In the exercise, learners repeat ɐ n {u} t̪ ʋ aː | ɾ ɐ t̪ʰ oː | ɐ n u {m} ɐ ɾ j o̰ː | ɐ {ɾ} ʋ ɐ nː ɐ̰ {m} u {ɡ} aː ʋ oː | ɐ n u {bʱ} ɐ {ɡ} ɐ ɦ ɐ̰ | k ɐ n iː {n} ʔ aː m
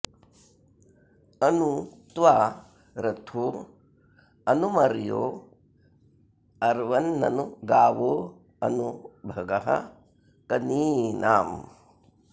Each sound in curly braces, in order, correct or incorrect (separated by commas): correct, correct, correct, incorrect, correct, correct, correct, correct